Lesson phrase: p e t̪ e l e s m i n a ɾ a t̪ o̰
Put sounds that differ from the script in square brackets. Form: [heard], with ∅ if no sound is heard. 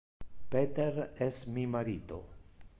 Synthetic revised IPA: p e t̪ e [ɾ] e s m i [m] a ɾ [i] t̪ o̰